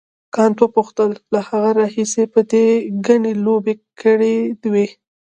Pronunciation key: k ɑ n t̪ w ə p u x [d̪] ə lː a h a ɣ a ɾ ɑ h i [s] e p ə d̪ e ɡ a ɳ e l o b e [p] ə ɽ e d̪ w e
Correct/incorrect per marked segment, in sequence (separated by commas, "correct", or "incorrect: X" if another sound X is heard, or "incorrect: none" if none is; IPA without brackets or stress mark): incorrect: t̪, correct, incorrect: k